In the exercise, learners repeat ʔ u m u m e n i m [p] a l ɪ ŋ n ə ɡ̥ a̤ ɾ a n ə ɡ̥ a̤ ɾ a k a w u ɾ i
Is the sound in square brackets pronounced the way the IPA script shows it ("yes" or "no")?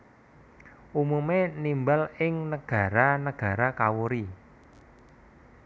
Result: no